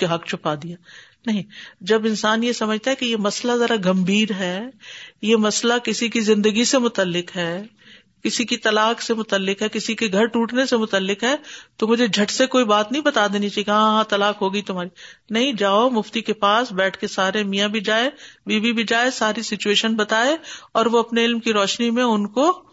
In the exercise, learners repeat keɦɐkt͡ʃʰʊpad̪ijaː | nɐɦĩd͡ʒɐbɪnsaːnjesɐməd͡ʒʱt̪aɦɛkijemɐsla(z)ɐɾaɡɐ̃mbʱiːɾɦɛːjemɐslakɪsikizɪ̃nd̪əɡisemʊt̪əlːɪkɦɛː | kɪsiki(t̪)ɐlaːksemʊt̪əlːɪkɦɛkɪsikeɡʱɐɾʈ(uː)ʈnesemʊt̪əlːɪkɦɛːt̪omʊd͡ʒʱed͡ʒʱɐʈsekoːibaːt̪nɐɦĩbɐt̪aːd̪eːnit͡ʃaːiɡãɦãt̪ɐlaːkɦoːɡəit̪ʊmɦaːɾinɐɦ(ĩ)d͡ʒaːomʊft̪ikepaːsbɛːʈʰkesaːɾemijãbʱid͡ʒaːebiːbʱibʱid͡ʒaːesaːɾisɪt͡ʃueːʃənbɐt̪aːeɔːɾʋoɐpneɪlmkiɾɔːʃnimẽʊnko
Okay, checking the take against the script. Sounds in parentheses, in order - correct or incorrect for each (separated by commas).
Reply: correct, correct, correct, correct